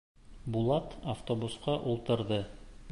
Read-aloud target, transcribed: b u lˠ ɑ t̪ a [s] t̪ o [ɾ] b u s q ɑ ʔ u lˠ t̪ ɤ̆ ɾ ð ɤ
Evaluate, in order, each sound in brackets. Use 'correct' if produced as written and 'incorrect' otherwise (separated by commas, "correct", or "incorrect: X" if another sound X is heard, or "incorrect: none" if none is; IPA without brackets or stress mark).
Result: incorrect: f, incorrect: none